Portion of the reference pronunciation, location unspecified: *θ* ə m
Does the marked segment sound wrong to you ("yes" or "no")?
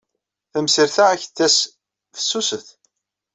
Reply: no